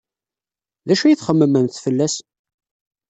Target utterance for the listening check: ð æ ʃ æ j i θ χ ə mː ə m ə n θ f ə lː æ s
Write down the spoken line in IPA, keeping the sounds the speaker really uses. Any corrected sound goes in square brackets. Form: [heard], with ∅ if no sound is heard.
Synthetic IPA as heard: ð æ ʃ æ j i θ χ ə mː ə m ə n θ f ə lː æ s